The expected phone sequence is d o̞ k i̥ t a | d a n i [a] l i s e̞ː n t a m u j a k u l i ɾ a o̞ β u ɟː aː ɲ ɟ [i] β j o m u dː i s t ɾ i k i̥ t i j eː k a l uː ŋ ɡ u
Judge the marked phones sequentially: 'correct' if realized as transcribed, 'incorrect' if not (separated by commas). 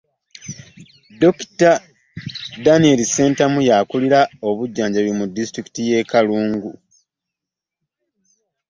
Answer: incorrect, incorrect